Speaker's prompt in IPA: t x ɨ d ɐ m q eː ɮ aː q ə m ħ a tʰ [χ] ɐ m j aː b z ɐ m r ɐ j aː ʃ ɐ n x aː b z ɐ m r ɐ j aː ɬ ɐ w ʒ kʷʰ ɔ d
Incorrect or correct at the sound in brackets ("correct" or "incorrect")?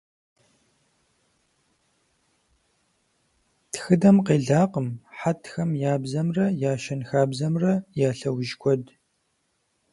incorrect